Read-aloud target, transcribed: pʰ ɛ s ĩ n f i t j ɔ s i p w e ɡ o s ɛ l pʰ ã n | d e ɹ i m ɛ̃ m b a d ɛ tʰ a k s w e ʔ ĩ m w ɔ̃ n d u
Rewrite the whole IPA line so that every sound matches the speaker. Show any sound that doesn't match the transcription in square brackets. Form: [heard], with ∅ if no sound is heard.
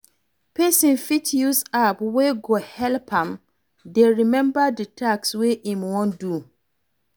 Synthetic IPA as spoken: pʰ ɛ s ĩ n f i t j [u] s [a] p w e ɡ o [h] ɛ l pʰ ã [m] | d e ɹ i m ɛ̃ m b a d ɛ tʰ a k s w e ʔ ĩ m w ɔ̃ n d u